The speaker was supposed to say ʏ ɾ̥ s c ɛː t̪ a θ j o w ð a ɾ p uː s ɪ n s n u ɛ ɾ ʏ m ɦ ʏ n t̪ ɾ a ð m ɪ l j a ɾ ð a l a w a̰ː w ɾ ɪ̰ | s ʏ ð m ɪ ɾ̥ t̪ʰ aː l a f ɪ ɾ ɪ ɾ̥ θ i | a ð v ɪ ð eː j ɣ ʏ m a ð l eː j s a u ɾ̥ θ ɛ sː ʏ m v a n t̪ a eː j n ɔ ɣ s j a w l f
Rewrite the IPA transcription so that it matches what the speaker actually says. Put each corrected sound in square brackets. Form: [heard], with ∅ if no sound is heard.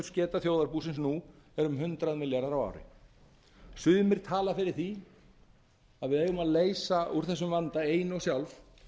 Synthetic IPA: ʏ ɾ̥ s c ɛː t̪ a θ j o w ð a ɾ p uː s ɪ n s n u ɛ ɾ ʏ m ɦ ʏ n t̪ ɾ a ð m ɪ l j a ɾ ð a [ɾ] a w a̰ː w ɾ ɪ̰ | s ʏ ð m ɪ ɾ̥ t̪ʰ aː l a f ɪ ɾ ɪ ɾ̥ θ i | a ð v ɪ ð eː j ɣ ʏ m a ð l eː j s a u ɾ̥ θ ɛ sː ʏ m v a n t̪ a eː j n ɔ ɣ s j a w l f